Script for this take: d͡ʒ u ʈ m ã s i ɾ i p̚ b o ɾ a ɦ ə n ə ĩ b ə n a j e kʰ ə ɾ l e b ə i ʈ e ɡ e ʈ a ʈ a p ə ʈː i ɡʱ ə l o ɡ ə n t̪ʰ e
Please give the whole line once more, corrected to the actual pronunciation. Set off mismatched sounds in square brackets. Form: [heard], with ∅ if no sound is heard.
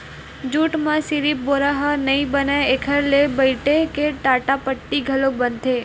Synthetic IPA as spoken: d͡ʒ u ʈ m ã s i ɾ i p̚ b o ɾ a ɦ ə n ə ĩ b ə n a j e kʰ ə ɾ l e b ə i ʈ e [k] e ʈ a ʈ a p ə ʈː i ɡʱ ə l o [b] ə n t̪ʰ e